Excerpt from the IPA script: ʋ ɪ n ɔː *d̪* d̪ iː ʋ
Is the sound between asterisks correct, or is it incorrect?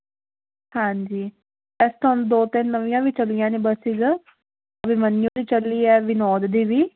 correct